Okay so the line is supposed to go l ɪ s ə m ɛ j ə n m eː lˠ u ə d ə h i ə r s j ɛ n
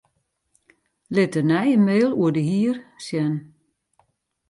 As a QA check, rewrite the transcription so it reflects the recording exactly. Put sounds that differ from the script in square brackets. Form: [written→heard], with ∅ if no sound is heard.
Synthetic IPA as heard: l ɪ [s→t] ə [m→n] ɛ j ə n m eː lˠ u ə d ə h i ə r s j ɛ n

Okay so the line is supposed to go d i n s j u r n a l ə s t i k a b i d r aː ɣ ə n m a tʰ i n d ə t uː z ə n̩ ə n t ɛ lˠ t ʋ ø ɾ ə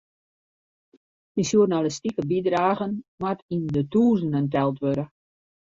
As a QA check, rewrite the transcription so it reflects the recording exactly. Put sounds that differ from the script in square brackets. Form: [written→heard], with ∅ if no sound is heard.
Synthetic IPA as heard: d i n s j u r n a l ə s t i k [a→ə] b i d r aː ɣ ə n m a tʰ i n d ə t uː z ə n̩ ə n t ɛ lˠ t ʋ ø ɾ ə

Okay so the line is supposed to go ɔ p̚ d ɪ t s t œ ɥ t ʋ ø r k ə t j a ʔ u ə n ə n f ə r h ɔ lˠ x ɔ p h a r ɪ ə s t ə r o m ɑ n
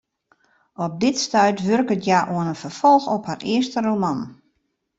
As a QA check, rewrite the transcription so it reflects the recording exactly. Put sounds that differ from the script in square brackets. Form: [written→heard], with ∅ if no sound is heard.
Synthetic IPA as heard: ɔ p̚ d ɪ t s t œ ɥ t ʋ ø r k ə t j a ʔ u ə n ə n f ə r [h→f] ɔ lˠ x ɔ p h a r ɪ ə s t ə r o m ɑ n

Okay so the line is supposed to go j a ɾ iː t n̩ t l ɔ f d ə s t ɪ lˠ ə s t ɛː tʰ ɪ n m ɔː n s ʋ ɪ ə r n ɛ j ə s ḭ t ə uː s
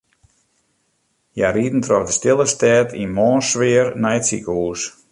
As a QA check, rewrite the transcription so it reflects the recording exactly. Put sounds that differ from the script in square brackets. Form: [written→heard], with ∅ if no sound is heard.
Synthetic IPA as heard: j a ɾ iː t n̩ t [l→r] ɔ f d ə s t ɪ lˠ ə s t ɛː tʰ [ɪ→i] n m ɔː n s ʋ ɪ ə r n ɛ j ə s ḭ [t→k] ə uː s

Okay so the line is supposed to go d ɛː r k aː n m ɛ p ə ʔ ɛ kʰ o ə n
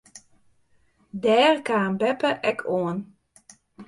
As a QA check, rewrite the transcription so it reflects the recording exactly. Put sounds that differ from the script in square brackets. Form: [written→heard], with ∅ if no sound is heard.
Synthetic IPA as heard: d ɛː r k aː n [m→b] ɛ p ə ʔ ɛ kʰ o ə n

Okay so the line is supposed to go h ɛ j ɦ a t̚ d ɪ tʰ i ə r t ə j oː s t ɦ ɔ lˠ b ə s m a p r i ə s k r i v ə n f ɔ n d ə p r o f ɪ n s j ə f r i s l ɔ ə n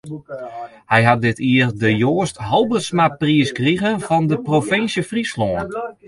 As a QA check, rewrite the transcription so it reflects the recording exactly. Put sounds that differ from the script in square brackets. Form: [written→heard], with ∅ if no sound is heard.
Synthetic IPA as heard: h ɛ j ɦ a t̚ d ɪ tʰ i ə r [t→d] ə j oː s t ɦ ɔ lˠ b ə s m a p r i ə s k r i [v→ɣ] ə n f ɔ n d ə p r o f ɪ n s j ə f r i s l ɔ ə n

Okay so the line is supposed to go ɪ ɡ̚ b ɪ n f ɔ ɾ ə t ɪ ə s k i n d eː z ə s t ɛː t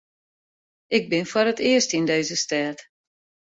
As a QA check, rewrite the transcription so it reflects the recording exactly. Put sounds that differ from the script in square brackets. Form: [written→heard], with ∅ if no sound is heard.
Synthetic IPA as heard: ɪ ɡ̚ b ɪ n f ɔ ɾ ə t ɪ ə s [k→t] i n d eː z ə s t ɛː t

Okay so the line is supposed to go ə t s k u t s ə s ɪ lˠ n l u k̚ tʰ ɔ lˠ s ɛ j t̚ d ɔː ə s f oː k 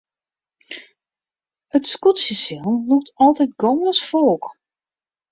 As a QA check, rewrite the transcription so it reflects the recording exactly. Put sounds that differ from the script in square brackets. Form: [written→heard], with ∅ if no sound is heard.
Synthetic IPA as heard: ə t s k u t s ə s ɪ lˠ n l u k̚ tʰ ɔ lˠ [s→t] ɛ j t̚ [d→ɡ] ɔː ə s f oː k

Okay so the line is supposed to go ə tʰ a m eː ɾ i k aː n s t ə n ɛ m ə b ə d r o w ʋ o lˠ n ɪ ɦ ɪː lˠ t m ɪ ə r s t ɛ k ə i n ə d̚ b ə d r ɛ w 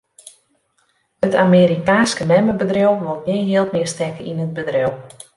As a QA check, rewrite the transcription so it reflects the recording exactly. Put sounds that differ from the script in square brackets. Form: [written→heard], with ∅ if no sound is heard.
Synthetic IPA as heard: ə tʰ a m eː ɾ i k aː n s [t→k] ə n ɛ m ə b ə d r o w ʋ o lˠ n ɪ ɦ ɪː lˠ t m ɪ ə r s t ɛ k ə i n ə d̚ b ə d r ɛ w

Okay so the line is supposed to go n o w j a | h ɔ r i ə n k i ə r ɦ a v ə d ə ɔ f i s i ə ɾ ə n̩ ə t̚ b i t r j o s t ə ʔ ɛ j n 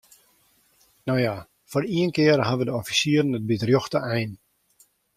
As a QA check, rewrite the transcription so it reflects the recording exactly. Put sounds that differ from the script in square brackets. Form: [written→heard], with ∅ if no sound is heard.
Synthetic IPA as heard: n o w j a | [h→f] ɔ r i ə n k [i→ɪ] ə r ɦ a [v→ʋ] ə d ə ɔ f i s i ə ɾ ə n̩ ə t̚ b i t r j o [s→x] t ə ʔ ɛ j n

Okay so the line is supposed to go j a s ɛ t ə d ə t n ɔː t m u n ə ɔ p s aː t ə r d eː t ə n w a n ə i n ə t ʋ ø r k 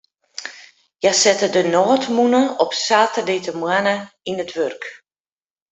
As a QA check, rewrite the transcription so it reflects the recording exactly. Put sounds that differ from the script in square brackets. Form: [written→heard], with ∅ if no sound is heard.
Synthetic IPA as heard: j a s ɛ t ə d ə [t→∅] n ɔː t m u n ə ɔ p s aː t ə r d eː t ə [n→m] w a n ə i n ə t ʋ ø r k

